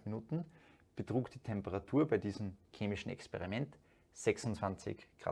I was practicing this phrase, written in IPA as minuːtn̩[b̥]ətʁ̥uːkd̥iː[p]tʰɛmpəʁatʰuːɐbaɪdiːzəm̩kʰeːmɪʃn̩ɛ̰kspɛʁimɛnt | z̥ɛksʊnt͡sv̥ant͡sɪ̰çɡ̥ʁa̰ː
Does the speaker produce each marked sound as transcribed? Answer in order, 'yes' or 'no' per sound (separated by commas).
yes, no